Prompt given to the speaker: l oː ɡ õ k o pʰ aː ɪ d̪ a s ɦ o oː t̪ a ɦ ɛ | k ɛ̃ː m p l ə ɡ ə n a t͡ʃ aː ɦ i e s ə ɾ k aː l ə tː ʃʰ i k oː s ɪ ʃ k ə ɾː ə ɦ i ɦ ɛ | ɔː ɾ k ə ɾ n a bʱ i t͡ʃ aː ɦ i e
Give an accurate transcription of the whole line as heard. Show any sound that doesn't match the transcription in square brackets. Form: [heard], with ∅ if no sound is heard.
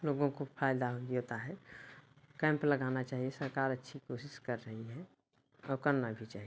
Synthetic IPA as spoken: l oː ɡ õ k o pʰ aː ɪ d̪ a [∅] ɦ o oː t̪ a ɦ ɛ | k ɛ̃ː m p l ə ɡ [a] n a t͡ʃ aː ɦ i e s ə ɾ k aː [ɾ] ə tː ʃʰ i k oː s ɪ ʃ k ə ɾː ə ɦ i ɦ ɛ | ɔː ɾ k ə ɾ n a bʱ i t͡ʃ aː ɦ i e